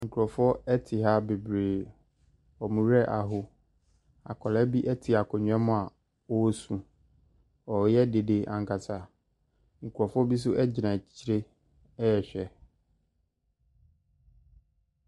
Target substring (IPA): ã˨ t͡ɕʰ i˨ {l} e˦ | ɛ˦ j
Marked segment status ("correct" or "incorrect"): incorrect